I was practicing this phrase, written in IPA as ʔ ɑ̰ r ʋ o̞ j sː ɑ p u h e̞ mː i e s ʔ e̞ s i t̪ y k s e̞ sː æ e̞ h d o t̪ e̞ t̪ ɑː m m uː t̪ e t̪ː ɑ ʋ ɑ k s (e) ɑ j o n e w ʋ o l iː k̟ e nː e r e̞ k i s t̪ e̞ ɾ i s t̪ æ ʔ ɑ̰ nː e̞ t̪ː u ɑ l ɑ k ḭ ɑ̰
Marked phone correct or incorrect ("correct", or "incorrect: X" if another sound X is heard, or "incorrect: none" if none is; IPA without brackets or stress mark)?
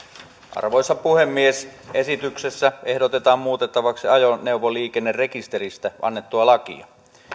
incorrect: i